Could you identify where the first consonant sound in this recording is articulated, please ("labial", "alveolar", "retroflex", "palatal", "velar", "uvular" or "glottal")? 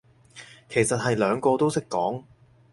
velar